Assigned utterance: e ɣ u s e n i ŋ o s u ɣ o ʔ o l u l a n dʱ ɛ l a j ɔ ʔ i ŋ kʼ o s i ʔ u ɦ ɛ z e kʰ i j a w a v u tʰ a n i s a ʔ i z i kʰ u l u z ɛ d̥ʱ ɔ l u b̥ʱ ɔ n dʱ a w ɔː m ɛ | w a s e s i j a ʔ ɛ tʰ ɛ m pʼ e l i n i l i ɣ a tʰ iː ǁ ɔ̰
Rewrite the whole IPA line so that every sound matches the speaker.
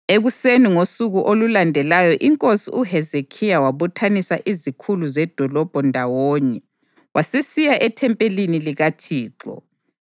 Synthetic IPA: e ɣ u s e n i ŋ o s u ɣ u ʔ o l u l a n dʱ ɛ l a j ɔ ʔ i ŋ kʼ o s i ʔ u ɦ ɛ z e kʰ i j a w a β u tʰ a n i s a ʔ i z i kʰ u l u z ɛ d̥ʱ ɔ l ɔ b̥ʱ ɔ n dʱ a w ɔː ɲ ɛ | w a s e s i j a ʔ ɛ tʰ ɛ m pʼ e l i n i l i ɣ a tʰ iː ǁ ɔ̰